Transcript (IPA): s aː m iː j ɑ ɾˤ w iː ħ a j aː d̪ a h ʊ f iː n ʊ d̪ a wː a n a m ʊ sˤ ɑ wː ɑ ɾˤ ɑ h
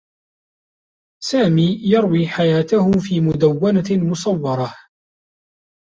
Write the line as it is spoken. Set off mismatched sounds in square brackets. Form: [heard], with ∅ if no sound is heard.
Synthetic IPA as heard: s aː m iː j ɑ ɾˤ w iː ħ a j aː [t̪] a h ʊ f iː [m] ʊ d̪ a wː a n a m ʊ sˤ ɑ wː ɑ ɾˤ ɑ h